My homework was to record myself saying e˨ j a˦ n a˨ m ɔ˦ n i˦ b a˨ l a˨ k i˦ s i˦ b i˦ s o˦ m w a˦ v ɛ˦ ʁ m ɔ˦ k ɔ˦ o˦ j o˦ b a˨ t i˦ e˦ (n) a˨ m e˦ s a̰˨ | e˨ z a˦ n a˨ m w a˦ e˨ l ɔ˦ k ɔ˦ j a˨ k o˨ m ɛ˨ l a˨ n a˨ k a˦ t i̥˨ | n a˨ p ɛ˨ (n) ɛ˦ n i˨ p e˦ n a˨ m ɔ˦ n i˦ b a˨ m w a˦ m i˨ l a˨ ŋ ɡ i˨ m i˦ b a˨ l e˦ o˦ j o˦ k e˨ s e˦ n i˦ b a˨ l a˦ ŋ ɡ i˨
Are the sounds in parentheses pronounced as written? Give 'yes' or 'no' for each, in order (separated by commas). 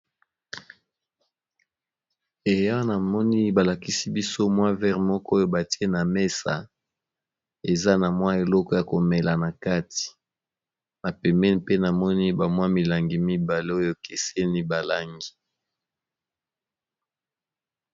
yes, no